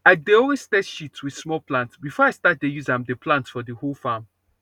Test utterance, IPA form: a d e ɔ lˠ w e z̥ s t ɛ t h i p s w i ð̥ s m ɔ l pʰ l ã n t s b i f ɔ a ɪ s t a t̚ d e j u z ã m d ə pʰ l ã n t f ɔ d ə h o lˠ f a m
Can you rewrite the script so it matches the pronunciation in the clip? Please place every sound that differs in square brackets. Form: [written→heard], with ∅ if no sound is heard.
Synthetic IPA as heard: a d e ɔ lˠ w e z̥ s t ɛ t [h→ʃ] i [p→t] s w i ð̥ s m ɔ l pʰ l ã n t s b i f ɔ a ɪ s t a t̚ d e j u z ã m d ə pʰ l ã n t f ɔ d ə h o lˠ f a m